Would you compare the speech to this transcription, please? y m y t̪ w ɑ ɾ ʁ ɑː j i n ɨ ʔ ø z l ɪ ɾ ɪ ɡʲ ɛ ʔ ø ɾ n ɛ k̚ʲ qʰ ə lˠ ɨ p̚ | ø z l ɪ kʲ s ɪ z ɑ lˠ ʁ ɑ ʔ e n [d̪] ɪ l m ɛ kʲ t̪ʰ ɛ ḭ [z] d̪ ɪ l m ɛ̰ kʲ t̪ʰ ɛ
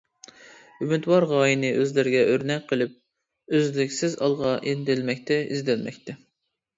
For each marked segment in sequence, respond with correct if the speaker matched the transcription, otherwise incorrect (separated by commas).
correct, correct